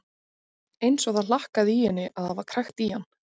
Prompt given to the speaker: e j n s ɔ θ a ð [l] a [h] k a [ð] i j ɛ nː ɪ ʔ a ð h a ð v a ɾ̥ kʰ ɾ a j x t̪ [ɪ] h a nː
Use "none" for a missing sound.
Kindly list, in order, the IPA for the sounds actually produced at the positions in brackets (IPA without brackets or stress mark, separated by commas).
l, h, ð, i